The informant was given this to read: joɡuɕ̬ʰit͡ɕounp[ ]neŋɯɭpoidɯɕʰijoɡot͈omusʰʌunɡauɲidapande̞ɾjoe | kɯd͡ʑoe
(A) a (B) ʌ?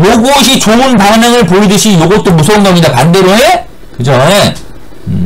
A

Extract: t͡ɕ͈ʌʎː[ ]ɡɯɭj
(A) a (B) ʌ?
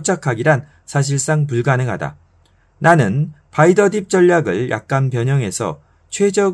A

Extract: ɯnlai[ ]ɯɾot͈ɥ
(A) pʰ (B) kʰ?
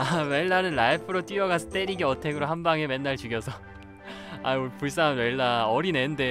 A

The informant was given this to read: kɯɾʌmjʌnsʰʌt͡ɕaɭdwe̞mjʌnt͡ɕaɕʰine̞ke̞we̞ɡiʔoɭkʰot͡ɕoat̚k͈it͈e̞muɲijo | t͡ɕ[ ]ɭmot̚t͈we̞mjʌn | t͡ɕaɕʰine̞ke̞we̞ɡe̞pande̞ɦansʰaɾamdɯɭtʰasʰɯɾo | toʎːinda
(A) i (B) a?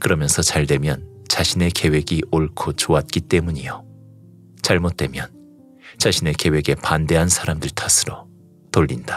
B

